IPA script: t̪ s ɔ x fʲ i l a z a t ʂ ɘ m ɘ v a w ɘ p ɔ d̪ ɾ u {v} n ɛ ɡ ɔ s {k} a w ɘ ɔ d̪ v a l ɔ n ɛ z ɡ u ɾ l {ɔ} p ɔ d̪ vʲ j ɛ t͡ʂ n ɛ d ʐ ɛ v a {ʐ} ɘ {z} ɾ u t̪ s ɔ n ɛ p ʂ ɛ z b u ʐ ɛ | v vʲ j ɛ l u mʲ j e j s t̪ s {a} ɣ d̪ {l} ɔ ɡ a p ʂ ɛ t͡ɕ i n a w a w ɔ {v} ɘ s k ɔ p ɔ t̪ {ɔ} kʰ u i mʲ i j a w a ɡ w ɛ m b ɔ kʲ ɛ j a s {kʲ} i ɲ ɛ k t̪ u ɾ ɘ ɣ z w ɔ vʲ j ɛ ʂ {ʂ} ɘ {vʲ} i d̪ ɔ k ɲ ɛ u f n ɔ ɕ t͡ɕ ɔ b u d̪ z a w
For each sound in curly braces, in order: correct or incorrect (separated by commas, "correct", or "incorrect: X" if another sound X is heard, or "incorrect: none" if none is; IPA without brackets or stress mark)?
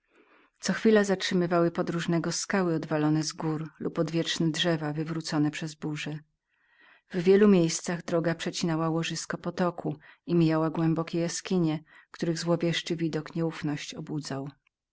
incorrect: ʐ, correct, incorrect: u, incorrect: v, incorrect: v, correct, incorrect: ɾ, incorrect: ʐ, correct, correct, incorrect: t͡ʂ, correct